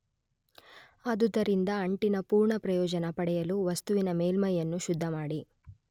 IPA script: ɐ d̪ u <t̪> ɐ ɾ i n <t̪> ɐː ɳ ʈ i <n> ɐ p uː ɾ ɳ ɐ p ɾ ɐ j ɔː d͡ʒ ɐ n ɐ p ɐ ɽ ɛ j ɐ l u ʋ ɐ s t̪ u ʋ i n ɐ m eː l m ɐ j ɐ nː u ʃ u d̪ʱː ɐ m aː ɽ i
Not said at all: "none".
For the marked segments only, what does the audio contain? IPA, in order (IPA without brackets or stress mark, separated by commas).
d̪, d̪, n